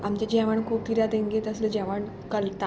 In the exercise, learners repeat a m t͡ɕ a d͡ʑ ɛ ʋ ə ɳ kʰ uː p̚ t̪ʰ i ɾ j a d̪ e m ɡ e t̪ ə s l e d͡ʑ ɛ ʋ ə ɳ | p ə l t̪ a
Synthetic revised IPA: a m t͡ɕ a d͡ʑ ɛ ʋ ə ɳ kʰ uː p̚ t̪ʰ i ɾ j a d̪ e ŋ ɡ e t̪ ə s l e d͡ʑ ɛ ʋ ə ɳ | k ə l t̪ a